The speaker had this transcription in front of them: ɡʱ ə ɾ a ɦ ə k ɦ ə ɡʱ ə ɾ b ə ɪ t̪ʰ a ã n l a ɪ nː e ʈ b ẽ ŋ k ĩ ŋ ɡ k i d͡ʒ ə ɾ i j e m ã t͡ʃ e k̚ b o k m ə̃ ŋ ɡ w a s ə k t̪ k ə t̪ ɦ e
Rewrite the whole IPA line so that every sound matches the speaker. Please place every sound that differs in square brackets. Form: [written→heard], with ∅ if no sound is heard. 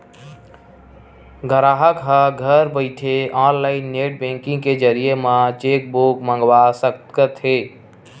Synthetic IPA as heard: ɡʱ ə ɾ a ɦ ə k ɦ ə ɡʱ ə ɾ b ə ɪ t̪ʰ [a→e] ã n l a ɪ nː e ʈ b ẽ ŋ k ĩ ŋ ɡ k [i→e] d͡ʒ ə ɾ i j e m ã t͡ʃ e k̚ b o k m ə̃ ŋ ɡ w a s ə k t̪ k ə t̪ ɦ e

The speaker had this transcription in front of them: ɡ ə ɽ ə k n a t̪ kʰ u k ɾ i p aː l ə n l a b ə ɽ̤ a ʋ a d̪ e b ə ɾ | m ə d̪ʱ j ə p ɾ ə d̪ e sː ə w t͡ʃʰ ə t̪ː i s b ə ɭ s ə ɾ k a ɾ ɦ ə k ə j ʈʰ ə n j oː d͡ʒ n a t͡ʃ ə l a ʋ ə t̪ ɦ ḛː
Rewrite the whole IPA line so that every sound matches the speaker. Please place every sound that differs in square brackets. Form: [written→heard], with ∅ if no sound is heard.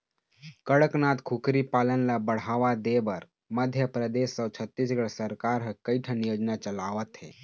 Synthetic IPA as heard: [ɡ→k] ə ɽ ə k n a t̪ kʰ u k ɾ i p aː l ə n l a b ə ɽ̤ a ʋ a d̪ e b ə ɾ | m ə d̪ʱ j ə p ɾ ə d̪ e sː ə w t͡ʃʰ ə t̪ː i s [b→ɡ] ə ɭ s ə ɾ k a ɾ ɦ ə k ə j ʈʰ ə n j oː d͡ʒ n a t͡ʃ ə l a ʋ ə t̪ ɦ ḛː

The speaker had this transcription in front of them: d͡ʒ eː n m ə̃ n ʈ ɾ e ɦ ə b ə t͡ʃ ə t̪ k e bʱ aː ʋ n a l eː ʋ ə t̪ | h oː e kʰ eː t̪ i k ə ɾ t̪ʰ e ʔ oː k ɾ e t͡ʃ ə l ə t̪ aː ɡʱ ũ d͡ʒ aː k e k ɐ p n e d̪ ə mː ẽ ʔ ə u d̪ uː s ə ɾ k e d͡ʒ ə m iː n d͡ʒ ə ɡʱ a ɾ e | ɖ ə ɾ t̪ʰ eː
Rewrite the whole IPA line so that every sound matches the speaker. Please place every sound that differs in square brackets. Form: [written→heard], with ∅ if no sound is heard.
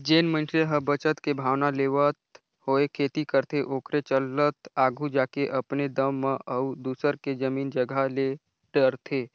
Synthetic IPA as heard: d͡ʒ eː n m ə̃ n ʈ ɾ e ɦ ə b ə t͡ʃ ə t̪ k e bʱ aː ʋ n a l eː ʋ ə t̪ | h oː e kʰ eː t̪ i k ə ɾ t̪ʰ e ʔ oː k ɾ e t͡ʃ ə l ə t̪ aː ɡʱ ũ d͡ʒ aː k e [k→ʔ] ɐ p n e d̪ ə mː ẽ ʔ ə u d̪ uː s ə ɾ k e d͡ʒ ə m iː n d͡ʒ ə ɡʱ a [ɾ→l] e | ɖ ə ɾ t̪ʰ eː

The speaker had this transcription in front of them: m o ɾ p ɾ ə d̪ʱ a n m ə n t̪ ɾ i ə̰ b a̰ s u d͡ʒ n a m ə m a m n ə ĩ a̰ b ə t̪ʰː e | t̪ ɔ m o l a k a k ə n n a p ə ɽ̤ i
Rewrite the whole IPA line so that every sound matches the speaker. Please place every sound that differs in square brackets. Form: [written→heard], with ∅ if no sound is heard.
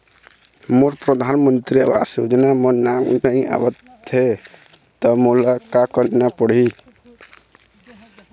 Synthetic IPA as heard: m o ɾ p ɾ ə d̪ʱ a n m ə n t̪ ɾ i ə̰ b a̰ s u d͡ʒ n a m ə [m→n] a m n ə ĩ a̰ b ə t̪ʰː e | t̪ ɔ m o l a k a k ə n n a p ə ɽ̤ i

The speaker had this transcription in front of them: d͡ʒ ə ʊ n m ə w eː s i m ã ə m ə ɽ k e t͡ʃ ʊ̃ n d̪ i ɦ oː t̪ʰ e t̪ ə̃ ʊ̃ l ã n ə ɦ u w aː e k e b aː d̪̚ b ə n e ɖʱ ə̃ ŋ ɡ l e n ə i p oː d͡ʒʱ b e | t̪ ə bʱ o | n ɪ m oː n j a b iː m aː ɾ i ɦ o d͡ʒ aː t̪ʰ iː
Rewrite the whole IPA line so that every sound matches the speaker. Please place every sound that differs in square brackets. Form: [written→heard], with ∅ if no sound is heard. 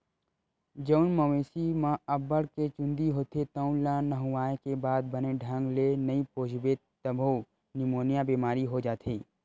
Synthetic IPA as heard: d͡ʒ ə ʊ n m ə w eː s i m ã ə [m→b] ə ɽ k e t͡ʃ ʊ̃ n d̪ i ɦ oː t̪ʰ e t̪ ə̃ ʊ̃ l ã n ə ɦ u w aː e k e b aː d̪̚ b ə n e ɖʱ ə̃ ŋ ɡ l e n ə i p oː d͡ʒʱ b e | t̪ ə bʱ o | n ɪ m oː n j a b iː m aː ɾ i ɦ o d͡ʒ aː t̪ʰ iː

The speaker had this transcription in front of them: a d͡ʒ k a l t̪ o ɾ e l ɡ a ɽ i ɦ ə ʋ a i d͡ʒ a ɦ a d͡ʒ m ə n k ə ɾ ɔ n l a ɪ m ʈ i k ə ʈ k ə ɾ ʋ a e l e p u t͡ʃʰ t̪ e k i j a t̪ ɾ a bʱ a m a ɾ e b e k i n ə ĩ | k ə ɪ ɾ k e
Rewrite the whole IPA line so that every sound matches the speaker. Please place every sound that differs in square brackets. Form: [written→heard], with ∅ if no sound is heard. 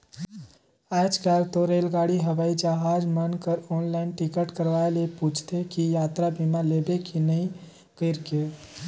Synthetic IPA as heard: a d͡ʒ k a l t̪ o ɾ e l ɡ a ɽ i ɦ ə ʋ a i d͡ʒ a ɦ a d͡ʒ m ə n k ə ɾ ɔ n l a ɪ [m→n] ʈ i k ə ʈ k ə ɾ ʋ a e l e p u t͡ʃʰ t̪ e k i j a t̪ ɾ a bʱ [a→i] m a [ɾ→l] e b e k i n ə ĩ | k ə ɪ ɾ k e

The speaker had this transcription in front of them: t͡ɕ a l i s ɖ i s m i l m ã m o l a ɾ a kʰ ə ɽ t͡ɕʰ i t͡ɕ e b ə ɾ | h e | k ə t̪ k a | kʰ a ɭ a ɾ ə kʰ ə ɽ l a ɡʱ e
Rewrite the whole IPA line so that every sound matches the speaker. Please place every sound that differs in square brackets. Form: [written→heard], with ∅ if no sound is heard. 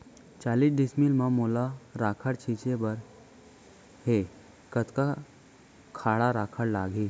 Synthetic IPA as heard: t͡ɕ a l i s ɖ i s m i l m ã m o l a ɾ a kʰ ə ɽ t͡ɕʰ i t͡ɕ e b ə ɾ | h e | k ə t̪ k a | kʰ a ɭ a ɾ [ə→a] kʰ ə ɽ l a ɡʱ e

